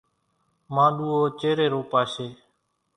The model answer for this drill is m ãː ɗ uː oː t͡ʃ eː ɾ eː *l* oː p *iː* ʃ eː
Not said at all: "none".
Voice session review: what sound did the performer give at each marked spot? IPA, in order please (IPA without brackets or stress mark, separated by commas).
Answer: ɾ, aː